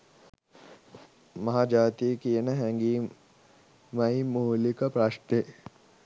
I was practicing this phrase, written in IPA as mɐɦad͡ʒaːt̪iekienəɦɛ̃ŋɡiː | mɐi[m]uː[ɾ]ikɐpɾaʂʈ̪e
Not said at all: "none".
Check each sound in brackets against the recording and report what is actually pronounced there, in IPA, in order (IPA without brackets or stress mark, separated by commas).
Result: m, l